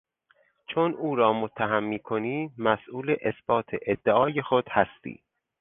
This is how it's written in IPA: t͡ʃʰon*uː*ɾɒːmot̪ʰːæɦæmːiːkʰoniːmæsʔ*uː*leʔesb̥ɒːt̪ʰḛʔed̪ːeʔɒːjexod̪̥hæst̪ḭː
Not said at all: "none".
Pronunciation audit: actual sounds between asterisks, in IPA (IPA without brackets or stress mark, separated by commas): uː, uː